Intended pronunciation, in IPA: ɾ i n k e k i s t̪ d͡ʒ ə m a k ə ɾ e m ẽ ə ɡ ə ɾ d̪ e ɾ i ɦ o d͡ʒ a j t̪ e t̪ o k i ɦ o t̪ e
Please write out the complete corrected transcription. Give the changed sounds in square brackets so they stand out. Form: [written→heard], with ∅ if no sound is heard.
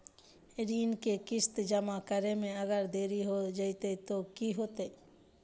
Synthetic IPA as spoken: ɾ i n k e k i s t̪ d͡ʒ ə m a k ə ɾ e m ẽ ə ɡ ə ɾ d̪ e ɾ i ɦ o d͡ʒ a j t̪ e t̪ o k i ɦ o t̪ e